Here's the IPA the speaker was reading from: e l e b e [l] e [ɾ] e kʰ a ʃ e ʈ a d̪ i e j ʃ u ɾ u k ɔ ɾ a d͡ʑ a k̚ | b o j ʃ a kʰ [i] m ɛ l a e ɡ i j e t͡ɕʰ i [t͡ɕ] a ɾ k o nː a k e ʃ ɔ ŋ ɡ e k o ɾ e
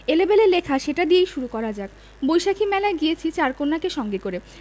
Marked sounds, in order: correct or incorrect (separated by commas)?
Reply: correct, incorrect, correct, correct